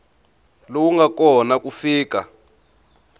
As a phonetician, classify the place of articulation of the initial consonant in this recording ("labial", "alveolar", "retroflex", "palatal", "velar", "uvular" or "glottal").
alveolar